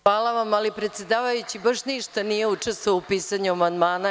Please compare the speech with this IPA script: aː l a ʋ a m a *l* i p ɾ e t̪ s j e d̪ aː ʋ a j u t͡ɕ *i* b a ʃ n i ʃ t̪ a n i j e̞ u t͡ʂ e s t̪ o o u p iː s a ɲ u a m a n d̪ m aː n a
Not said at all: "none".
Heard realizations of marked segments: l, i

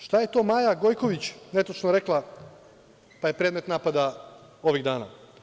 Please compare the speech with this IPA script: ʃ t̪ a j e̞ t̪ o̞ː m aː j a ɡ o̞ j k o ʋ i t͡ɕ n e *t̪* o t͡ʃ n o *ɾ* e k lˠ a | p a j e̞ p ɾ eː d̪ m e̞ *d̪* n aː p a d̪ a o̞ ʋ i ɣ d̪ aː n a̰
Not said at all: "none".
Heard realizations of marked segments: t̪, ɾ, t̪

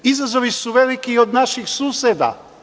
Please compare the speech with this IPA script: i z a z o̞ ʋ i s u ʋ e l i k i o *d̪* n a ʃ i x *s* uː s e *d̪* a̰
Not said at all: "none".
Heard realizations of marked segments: d̪, s, d̪

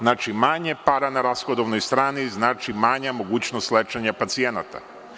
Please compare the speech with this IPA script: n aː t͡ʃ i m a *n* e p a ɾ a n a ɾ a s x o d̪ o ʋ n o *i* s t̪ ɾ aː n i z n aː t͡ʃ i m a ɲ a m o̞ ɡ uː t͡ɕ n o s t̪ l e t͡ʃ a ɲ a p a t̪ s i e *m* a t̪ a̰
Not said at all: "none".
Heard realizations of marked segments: ɲ, j, n

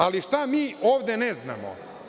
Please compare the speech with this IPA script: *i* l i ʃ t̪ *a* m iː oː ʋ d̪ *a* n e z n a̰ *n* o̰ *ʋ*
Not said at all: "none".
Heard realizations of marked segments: a, a, e, m, none

